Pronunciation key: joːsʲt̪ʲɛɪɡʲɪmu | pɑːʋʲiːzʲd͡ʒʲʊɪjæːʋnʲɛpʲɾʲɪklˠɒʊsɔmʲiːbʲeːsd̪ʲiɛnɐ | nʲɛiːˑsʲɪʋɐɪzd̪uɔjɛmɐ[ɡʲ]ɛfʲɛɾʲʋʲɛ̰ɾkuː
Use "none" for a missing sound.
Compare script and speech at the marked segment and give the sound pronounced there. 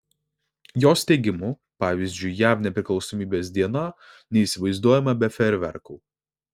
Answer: bʲ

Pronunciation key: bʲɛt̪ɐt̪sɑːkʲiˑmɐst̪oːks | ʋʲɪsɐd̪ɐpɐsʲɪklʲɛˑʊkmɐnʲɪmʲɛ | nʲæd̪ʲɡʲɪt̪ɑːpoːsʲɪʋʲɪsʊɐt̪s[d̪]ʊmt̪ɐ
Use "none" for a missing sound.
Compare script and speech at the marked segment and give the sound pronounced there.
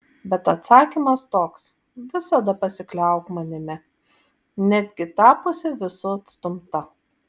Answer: t̪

